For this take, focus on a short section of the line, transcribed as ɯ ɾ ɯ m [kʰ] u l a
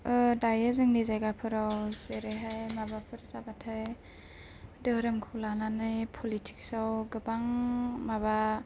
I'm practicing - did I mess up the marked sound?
no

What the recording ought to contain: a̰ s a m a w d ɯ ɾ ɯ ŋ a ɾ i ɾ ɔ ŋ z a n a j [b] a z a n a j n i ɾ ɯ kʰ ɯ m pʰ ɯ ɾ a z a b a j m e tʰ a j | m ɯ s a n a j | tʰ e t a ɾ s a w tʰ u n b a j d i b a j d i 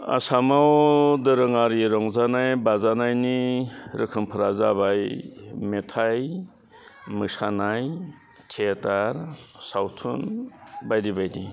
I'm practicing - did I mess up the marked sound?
no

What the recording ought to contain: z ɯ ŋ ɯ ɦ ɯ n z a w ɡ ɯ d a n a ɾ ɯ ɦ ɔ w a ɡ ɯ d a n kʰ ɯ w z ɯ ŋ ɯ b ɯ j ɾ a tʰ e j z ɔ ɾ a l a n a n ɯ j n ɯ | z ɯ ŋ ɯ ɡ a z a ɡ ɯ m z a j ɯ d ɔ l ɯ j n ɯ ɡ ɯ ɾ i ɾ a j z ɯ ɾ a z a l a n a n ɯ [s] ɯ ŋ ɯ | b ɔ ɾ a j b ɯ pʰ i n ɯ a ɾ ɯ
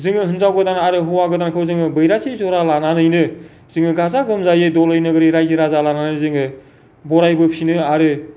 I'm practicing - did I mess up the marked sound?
yes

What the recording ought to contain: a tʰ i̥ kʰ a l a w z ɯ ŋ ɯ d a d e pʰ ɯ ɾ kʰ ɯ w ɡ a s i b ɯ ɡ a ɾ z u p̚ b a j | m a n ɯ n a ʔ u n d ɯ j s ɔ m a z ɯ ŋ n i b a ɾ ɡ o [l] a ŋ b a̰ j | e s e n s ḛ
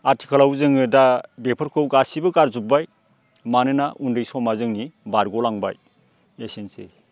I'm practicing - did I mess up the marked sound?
no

